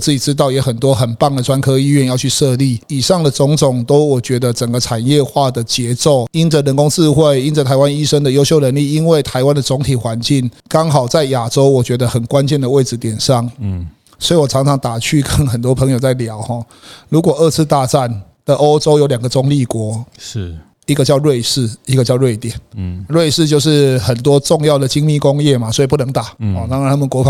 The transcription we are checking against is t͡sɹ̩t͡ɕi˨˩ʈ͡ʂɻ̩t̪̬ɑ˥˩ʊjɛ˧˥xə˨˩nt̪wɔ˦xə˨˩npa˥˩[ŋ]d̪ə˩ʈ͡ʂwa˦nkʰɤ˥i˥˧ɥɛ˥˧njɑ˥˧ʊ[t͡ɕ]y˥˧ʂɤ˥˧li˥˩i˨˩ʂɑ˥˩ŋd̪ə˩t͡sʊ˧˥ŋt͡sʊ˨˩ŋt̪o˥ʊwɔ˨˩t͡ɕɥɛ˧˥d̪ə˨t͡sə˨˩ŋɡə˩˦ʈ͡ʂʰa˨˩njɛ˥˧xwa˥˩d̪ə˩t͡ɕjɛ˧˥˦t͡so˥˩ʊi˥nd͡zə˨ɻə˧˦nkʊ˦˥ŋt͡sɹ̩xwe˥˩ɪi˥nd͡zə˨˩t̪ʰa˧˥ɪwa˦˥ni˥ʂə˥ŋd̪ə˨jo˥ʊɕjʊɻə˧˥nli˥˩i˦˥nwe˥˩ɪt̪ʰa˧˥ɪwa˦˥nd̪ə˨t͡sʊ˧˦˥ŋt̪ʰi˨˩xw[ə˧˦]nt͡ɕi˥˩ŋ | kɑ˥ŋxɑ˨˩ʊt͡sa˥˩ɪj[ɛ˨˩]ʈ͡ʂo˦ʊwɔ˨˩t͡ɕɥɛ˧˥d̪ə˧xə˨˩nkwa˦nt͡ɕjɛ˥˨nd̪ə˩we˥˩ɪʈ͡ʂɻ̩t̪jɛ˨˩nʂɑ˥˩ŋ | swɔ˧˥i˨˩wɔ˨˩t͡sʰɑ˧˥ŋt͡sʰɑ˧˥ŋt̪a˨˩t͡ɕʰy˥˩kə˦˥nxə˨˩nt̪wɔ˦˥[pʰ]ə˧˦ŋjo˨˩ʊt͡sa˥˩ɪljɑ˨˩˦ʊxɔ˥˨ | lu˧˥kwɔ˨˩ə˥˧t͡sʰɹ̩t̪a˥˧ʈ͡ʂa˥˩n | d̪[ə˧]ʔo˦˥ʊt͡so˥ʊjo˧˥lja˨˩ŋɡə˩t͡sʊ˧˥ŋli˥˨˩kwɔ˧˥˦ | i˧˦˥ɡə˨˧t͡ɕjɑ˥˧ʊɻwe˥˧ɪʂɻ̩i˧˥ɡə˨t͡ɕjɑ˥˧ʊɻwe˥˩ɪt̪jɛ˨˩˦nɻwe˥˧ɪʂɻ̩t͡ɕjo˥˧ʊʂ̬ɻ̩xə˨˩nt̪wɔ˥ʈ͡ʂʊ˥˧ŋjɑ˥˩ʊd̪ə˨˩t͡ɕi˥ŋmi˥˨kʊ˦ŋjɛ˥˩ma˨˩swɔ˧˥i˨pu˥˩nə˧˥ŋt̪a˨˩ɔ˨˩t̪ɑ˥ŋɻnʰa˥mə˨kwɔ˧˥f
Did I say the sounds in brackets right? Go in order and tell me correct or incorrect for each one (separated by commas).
correct, incorrect, incorrect, incorrect, correct, incorrect